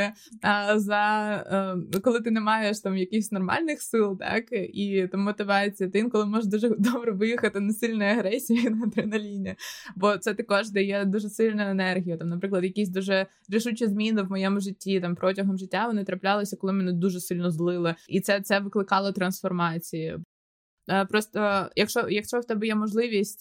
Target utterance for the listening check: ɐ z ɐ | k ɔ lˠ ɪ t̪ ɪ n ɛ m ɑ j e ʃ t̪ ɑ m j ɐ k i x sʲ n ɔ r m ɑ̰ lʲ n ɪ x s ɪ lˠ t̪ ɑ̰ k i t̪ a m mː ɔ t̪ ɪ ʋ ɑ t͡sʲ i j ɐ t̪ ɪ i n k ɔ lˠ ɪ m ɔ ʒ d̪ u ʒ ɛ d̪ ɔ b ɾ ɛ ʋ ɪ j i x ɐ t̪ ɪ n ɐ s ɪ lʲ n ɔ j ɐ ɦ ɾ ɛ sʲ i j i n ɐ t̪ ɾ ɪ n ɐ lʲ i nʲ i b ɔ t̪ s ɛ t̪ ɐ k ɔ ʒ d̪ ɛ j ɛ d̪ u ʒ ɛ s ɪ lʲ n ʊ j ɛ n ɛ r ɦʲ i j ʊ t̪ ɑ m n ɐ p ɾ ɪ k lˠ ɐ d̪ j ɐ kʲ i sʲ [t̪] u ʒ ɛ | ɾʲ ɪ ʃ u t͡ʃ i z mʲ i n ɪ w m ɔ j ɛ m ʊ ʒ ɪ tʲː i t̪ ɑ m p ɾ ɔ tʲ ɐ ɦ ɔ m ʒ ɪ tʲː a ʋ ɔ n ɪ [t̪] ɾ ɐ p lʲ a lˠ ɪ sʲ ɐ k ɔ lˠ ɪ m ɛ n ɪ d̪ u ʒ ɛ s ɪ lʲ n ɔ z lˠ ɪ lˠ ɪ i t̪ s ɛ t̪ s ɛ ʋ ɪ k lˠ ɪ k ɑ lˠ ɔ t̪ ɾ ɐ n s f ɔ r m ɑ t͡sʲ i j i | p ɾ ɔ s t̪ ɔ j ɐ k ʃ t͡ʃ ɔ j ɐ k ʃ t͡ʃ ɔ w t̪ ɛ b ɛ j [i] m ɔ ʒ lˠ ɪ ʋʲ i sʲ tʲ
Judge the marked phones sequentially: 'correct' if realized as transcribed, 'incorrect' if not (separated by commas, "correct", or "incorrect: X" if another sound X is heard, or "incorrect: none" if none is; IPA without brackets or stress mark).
incorrect: d̪, correct, incorrect: ɛ